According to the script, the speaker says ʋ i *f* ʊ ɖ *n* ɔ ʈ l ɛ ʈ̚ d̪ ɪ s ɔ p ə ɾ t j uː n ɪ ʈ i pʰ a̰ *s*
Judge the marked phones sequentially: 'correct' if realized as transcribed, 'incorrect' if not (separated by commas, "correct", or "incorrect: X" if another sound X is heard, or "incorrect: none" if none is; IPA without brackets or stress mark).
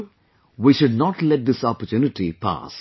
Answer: incorrect: ʃ, correct, correct